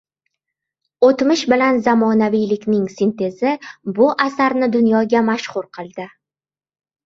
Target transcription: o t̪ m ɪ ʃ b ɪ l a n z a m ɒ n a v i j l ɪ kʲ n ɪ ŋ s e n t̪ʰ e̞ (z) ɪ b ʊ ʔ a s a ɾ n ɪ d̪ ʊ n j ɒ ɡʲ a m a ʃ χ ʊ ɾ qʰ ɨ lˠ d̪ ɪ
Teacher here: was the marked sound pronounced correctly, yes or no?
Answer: yes